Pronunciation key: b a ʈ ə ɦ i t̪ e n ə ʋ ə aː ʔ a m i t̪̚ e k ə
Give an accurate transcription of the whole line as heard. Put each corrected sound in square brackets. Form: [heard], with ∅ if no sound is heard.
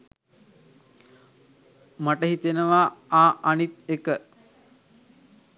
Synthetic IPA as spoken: [m] a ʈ ə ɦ i t̪ e n ə ʋ [a] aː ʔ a [n] i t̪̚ e k ə